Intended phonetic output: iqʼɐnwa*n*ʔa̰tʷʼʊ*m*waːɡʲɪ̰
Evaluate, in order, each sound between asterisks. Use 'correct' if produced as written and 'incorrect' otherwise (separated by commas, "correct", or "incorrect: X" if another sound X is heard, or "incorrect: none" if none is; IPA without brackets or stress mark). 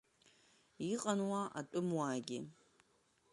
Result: incorrect: none, correct